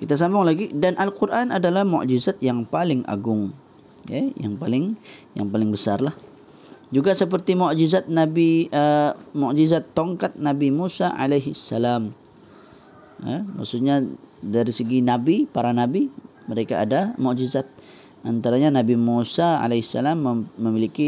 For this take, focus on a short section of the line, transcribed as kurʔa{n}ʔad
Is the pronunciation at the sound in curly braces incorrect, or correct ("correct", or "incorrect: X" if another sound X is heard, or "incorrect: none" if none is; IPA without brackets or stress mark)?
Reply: correct